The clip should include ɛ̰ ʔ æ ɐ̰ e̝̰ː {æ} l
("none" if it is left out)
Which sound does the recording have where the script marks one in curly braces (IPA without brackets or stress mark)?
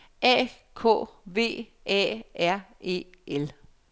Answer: e